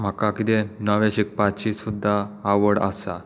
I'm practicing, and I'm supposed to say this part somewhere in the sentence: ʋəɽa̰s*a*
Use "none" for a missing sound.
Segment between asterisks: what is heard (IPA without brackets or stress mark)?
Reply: a